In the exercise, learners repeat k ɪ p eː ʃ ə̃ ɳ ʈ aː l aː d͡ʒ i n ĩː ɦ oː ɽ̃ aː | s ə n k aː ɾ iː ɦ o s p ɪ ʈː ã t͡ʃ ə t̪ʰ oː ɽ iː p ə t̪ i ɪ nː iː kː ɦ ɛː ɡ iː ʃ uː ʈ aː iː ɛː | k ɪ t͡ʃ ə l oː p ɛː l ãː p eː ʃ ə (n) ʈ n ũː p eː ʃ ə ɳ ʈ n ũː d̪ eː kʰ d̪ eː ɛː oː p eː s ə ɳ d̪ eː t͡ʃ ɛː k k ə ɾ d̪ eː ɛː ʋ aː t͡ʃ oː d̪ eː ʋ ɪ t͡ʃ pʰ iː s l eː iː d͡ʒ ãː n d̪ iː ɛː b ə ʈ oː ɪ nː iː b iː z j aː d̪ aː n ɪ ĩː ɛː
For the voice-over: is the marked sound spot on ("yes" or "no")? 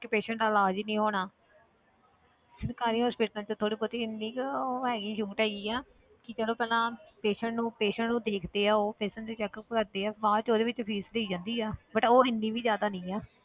no